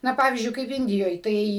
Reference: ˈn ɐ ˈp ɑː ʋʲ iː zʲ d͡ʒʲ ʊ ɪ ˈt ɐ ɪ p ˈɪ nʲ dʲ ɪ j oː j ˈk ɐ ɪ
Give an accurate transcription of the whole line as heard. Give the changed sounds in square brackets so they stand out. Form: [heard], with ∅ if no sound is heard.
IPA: ˈn ɐ ˈp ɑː ʋʲ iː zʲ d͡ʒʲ ʊ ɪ [ˈk] ɐ ɪ p ˈɪ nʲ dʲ ɪ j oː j [ˈt] ɐ ɪ